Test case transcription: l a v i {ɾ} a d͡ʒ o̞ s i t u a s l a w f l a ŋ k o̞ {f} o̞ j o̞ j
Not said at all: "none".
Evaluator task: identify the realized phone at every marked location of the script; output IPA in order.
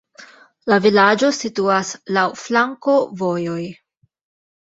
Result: l, v

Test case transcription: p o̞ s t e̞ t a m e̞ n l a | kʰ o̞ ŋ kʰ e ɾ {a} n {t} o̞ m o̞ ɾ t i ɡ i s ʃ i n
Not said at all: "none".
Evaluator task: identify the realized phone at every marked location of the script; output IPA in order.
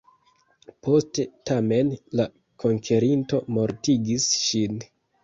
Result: i, t

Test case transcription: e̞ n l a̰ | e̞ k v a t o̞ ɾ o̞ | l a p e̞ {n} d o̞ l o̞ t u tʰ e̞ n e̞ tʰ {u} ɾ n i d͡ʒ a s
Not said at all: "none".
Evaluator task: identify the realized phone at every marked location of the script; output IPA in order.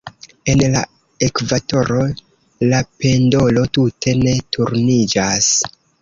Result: n, u

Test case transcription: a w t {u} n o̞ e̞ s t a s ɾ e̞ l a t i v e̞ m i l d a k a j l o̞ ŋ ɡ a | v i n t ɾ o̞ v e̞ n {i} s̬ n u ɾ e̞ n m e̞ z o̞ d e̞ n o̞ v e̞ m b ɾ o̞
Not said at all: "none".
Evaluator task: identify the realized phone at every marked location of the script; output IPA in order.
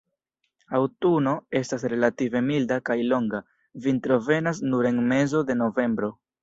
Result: u, a

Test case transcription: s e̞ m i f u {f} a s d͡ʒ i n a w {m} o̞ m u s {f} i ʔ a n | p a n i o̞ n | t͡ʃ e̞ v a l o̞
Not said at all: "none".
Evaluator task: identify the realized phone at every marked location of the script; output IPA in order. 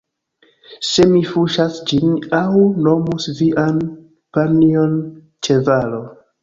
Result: ʃ, n, v

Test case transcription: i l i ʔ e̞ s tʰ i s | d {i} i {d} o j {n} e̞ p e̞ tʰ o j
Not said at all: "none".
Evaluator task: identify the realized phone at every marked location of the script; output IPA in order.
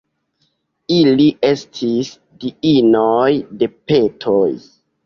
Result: i, n, d

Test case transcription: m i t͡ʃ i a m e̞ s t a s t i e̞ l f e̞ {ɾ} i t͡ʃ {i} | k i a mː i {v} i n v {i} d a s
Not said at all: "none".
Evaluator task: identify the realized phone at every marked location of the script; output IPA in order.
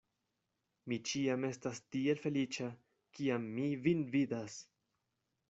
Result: l, a, v, i

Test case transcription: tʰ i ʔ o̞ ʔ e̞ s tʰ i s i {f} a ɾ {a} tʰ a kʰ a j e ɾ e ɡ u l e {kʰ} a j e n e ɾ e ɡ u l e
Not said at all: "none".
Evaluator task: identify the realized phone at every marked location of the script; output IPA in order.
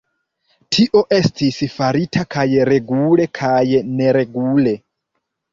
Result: f, i, kʰ

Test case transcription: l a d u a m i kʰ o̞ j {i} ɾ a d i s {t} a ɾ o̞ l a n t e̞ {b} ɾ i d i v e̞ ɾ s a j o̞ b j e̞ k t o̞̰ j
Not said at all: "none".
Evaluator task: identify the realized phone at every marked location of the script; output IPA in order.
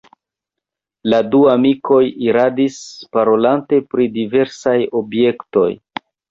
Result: i, p, p

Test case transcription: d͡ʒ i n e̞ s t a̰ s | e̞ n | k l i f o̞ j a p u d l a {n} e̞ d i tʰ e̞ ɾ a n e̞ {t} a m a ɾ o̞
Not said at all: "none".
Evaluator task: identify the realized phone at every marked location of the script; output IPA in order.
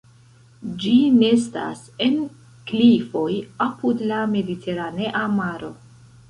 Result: m, ʔ

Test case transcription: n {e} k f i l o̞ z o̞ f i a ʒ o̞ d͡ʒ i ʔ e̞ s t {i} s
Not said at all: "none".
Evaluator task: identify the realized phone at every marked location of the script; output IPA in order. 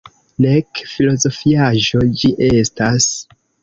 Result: e, a

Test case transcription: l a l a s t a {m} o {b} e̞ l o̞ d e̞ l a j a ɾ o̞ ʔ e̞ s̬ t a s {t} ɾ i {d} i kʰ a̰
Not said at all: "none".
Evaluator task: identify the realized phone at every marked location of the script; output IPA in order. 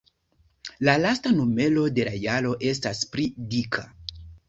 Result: n, m, p, d

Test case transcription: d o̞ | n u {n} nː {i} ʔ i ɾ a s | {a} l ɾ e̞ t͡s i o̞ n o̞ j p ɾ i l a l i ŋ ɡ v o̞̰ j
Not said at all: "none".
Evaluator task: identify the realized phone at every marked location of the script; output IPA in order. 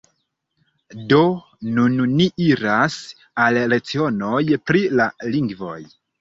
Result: n, i, a

